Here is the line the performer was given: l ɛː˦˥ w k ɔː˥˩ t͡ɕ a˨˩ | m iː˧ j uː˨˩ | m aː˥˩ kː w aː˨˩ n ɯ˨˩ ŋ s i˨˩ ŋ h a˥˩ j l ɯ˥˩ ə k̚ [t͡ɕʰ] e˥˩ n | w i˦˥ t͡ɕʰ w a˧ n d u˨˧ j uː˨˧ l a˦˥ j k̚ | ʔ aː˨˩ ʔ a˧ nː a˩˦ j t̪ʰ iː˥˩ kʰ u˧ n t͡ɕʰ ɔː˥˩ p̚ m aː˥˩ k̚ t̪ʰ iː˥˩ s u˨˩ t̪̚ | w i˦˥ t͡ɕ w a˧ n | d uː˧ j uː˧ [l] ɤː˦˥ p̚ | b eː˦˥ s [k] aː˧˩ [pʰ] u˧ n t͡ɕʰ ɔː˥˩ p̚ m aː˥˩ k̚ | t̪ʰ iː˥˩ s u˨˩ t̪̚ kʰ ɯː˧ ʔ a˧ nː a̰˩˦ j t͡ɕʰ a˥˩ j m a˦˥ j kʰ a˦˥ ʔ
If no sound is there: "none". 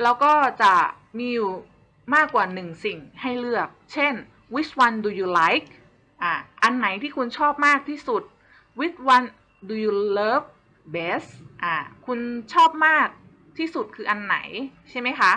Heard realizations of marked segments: t͡ɕʰ, l, ʔ, kʰ

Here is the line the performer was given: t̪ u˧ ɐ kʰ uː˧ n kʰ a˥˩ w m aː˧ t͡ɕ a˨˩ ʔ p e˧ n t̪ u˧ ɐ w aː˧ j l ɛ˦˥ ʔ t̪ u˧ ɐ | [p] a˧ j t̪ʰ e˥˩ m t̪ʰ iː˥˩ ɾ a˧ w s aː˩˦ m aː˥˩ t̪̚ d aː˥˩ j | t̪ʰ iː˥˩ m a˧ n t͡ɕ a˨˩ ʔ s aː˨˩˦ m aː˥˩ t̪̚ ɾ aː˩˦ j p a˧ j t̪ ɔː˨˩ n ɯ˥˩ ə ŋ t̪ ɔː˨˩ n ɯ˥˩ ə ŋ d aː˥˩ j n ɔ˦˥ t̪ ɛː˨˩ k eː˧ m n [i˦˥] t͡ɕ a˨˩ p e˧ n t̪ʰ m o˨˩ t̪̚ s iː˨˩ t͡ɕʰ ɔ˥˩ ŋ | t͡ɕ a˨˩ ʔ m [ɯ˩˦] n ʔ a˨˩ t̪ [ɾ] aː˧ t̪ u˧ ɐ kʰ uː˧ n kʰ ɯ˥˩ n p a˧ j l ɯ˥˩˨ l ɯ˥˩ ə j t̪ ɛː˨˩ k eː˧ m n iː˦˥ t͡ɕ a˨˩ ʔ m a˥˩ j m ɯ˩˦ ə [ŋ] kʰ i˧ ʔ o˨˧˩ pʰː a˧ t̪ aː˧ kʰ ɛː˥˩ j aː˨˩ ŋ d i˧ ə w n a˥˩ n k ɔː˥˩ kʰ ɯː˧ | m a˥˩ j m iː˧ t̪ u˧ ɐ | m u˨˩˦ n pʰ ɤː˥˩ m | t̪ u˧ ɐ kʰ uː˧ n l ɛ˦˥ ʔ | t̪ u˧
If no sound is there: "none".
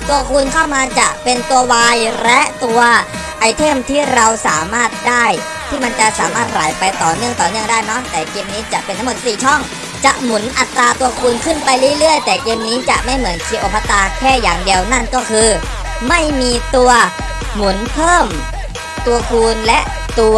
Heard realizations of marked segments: ʔ, iː˦˥, u˩˦, ɾ, n

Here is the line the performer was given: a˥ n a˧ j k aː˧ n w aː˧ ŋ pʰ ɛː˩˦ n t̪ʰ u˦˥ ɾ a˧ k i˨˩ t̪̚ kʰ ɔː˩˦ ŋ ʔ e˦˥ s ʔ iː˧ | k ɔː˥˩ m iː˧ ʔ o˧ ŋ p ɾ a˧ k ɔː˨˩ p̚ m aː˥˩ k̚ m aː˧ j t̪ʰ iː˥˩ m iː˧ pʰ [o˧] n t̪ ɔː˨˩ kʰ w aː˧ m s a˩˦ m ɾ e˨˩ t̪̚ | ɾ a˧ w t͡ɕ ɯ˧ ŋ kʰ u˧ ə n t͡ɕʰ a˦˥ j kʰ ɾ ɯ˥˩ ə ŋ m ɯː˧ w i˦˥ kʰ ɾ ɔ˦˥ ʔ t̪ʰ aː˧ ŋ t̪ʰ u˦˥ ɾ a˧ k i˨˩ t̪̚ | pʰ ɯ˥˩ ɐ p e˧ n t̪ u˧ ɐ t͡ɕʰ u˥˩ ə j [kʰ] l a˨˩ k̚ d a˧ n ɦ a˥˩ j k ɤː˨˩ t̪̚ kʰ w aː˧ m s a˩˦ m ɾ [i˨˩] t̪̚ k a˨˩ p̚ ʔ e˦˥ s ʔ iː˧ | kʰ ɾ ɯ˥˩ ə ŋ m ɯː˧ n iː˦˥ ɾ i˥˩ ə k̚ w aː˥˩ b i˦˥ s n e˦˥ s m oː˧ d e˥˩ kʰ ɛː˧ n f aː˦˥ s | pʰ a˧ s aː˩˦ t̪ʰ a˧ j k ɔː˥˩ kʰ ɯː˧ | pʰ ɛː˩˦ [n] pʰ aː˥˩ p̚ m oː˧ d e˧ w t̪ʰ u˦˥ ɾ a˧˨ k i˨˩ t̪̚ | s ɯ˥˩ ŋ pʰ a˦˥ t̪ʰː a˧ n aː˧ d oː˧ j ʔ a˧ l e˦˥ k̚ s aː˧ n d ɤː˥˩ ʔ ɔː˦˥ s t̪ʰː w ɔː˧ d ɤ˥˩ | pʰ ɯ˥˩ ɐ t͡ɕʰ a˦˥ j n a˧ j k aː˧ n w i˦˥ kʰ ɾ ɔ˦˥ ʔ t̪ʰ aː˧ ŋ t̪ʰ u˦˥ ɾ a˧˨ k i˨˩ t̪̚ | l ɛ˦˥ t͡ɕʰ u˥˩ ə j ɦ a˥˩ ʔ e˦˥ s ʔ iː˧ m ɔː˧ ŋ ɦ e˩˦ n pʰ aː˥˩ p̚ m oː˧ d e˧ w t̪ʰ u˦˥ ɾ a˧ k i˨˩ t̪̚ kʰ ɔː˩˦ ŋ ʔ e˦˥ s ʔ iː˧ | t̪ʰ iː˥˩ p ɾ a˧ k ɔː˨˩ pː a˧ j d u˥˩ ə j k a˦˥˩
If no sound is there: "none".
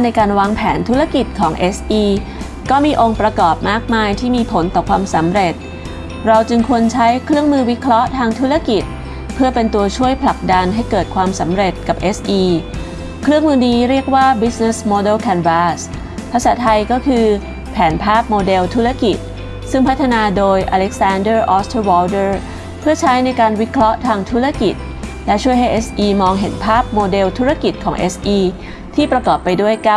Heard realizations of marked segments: o˩˦, pʰ, e˨˩, n

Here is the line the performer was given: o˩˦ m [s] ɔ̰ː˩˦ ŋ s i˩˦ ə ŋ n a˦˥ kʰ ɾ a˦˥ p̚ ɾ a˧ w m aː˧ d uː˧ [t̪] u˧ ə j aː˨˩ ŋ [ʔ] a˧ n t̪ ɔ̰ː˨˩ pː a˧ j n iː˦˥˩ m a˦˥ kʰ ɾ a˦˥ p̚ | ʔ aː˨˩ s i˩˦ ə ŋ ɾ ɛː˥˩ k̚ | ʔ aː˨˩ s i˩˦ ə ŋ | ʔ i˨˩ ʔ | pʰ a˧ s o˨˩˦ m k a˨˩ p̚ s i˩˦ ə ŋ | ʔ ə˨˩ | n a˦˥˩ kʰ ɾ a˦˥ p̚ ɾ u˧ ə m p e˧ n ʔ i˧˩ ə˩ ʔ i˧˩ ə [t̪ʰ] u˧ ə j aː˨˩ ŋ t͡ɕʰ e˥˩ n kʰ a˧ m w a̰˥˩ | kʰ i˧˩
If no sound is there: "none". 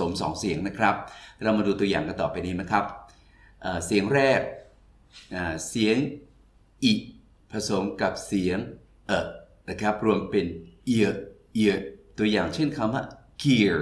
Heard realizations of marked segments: s, t̪, k, t̪

